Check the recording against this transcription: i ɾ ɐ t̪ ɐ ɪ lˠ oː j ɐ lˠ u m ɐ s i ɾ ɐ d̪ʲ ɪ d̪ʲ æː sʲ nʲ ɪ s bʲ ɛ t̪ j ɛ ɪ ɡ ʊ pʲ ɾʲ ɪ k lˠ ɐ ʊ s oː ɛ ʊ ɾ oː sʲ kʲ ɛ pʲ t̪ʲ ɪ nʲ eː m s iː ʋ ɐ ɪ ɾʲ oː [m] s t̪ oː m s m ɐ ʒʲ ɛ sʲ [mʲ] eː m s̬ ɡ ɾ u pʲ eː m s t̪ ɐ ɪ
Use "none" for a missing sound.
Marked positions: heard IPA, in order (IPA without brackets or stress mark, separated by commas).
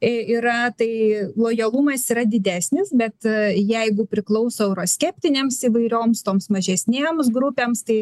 m, nʲ